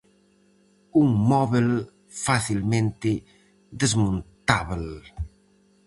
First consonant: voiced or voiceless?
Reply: voiced